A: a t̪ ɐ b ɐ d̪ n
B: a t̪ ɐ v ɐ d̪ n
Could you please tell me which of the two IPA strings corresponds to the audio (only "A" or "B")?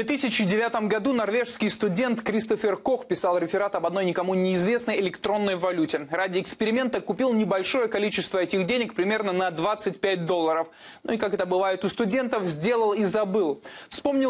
A